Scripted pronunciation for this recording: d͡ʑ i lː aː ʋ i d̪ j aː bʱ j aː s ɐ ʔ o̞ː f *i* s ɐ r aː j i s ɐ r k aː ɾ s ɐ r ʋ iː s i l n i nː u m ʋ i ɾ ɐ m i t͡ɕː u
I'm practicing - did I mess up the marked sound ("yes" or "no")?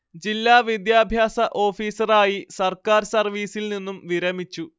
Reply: yes